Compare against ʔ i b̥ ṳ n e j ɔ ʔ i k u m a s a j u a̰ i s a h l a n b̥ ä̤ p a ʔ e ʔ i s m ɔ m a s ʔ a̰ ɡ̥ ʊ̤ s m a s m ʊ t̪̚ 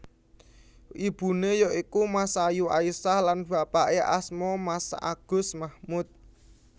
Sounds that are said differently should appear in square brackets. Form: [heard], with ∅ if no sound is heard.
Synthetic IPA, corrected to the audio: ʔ i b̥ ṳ n e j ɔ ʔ i k u m a s a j u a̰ i s a h l a n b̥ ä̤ p a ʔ e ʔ [a] s m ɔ m a s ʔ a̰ ɡ̥ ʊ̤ s m a [h] m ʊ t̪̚